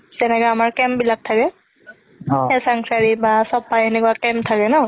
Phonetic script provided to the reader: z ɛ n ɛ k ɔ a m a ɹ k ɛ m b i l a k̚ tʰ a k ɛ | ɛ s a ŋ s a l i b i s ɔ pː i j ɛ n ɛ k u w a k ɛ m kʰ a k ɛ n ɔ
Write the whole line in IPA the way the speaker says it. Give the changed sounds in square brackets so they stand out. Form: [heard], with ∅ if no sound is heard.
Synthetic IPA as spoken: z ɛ n ɛ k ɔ a m a ɹ k ɛ m b i l a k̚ tʰ a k ɛ | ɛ s a ŋ s a [ɹ] i b [a] s ɔ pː [a] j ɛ n ɛ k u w a k ɛ m [tʰ] a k ɛ n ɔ